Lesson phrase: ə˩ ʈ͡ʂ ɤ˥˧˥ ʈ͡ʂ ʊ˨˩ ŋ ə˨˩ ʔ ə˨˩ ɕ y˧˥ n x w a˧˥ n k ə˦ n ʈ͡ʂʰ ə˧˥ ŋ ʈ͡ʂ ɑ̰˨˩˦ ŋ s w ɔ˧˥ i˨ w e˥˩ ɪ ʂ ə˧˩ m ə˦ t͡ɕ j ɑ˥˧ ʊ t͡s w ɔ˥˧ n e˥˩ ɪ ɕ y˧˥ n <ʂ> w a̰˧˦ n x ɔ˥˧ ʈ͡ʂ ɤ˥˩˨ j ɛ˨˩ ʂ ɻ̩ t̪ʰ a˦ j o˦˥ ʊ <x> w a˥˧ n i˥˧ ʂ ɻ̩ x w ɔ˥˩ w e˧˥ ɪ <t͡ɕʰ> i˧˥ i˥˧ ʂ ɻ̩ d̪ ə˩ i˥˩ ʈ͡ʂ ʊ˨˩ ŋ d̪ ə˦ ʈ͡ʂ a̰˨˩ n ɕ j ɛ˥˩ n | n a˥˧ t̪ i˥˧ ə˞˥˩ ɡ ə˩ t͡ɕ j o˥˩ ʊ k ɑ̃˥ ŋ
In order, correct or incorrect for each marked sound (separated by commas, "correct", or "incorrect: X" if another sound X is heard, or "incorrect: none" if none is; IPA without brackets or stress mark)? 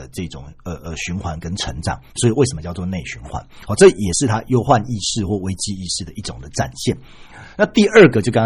incorrect: x, correct, incorrect: t͡ɕ